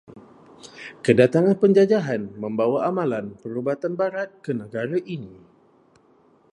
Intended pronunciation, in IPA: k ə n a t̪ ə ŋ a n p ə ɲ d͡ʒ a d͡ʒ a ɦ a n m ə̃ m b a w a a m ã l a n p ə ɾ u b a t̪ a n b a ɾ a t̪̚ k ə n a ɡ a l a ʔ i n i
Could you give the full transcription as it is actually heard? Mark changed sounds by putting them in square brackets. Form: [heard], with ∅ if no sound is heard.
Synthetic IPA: k ə [d] a t̪ [a] ŋ a n p ə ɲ d͡ʒ a d͡ʒ a ɦ a n m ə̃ m b a w a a m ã l a n p ə ɾ u b a t̪ a n b a ɾ a t̪̚ k ə n [ə] ɡ a [ɾ] a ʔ i n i